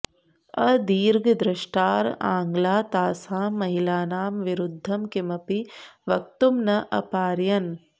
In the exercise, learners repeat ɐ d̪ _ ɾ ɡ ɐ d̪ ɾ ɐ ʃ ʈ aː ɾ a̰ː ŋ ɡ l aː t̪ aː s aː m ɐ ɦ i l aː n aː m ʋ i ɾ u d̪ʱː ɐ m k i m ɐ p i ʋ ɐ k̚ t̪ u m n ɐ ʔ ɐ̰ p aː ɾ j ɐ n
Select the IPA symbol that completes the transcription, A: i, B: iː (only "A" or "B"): B